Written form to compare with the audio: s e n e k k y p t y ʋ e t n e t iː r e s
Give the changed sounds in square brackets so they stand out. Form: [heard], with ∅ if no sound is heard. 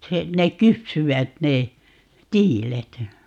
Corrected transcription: s e n e k k y p [s] y ʋ [æ] t n e t iː [l] e [t]

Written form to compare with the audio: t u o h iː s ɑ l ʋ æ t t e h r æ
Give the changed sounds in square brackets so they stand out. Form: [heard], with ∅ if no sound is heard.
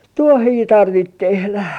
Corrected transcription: t u o h iː [t] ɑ [r] ʋ [i] t t e h [l] æ

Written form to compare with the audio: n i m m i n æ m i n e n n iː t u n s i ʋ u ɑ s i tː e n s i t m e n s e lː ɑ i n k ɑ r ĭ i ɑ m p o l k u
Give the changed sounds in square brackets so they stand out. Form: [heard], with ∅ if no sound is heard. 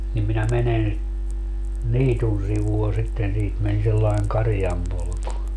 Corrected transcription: n i m m i n æ m [e] n e n n iː t u n s i ʋ u ɑ s i tː e n s [iː] t m e n s e lː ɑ i [ŋ] k ɑ r ĭ [j] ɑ m p o l k u

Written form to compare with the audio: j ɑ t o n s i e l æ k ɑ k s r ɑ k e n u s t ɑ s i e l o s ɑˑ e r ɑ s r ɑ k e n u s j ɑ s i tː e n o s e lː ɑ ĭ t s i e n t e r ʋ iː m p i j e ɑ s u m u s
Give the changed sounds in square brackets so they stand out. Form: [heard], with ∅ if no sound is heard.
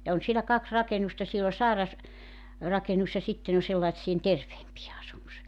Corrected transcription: j ɑ [∅] o n s i e l æ k ɑ k s r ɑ k e n u s t ɑ s i e l o s ɑˑ e r ɑ s r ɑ k e n u s j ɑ s i tː e n o s e lː ɑ ĭ t s i e n t e r ʋ [eː] m p i j e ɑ s u m u s

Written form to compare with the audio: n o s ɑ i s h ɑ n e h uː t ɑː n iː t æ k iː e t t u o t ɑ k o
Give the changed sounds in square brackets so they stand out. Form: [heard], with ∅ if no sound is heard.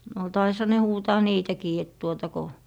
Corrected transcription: n o [t] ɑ i s h ɑ n e h uː t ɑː n iː t æ k iː e t t u o t ɑ k o

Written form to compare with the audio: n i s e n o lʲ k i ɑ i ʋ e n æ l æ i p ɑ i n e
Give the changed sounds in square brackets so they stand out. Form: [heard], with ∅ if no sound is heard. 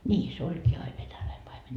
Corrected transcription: n [iː] s e [∅] o lʲ k [iː] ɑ i ʋ e n æ l æ i p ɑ i [m] e

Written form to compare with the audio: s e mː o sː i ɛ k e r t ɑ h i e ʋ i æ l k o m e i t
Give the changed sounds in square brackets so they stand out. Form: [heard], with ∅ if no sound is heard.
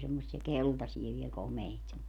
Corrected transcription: s e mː o sː i ɛ k e [l] t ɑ [s] i e ʋ i [e] l k o m e i t

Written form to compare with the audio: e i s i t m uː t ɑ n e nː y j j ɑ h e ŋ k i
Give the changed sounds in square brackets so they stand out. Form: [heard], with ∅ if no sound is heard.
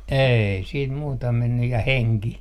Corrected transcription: e i s [iː] t m uː t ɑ [m] e nː y j j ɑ h e ŋ k i

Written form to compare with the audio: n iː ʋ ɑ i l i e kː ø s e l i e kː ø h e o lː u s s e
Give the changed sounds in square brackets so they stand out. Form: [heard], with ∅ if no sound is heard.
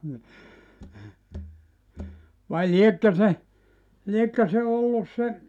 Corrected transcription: n [i] ʋ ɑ i l i e kː ø s e l i e kː ø [s] e o lː u s s e

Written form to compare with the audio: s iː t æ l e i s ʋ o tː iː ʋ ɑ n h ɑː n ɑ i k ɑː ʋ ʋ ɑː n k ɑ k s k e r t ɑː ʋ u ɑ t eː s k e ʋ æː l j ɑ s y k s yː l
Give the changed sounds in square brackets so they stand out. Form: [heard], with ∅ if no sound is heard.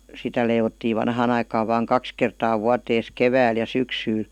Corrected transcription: s [i] t æ l e i [∅] ʋ o tː iː ʋ ɑ n h ɑː n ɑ i k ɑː ʋ ʋ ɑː [ŋ] k ɑ k s k e r t ɑː ʋ u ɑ t eː s k e ʋ æː l j ɑ s y k s yː l

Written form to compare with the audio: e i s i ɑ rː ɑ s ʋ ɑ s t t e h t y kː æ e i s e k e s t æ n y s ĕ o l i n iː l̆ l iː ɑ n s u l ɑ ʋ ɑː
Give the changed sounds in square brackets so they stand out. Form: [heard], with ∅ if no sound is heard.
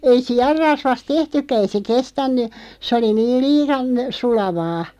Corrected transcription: e i s i ɑ rː ɑ s ʋ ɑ s t t e h t y kː æ e i s e k e s t æ [nː] y s ĕ o l i n iː l̆ l iː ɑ n s u l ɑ ʋ ɑː

